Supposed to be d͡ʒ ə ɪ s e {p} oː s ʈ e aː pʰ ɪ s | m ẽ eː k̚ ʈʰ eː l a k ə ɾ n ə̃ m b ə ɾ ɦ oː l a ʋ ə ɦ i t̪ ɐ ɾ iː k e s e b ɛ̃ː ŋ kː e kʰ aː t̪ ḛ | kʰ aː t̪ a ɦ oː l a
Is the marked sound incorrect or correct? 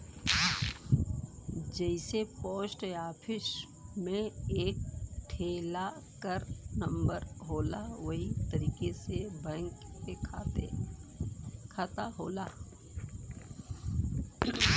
correct